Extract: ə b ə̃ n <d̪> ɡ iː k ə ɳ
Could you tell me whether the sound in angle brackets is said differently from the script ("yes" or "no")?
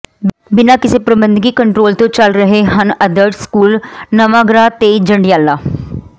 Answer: no